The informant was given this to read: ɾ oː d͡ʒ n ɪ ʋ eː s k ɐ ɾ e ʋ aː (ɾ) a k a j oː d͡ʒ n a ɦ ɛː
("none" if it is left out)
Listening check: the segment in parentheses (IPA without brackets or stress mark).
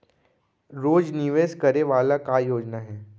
l